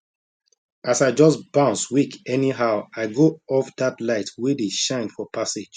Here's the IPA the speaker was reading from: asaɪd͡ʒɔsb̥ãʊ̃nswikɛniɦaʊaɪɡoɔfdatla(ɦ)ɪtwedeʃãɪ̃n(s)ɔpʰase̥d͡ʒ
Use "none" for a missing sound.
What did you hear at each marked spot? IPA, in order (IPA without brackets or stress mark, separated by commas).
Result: none, f